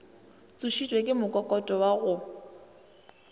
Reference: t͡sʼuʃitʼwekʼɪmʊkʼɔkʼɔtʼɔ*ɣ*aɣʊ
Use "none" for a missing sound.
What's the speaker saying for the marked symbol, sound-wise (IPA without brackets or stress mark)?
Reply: w